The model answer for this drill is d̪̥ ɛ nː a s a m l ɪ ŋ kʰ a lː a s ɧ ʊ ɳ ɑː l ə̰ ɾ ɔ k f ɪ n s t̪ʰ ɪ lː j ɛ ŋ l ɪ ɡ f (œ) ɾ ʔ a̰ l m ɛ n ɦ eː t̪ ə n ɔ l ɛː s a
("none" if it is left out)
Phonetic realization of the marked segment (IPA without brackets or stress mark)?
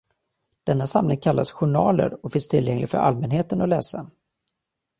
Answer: œ